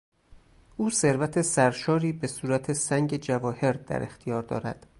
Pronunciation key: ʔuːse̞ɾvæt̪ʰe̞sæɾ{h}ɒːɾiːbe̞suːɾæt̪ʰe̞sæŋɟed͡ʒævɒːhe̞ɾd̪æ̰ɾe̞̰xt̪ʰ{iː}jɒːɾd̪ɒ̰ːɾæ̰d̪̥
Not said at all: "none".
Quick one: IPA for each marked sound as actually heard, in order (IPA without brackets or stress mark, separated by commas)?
ʃ, i